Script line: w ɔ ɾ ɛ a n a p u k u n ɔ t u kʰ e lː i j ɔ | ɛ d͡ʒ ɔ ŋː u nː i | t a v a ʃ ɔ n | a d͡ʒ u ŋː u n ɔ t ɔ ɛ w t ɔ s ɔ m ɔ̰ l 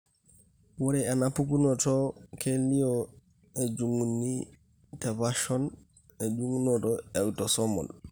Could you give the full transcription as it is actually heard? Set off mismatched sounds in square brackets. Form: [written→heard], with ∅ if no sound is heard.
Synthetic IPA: w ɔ ɾ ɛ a n a p u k u n ɔ t [u→ɔ] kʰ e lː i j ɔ | ɛ d͡ʒ [ɔ→u] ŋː u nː i | t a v a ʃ ɔ n | [a→ɛ] d͡ʒ u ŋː u n ɔ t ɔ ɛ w t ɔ s ɔ m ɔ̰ l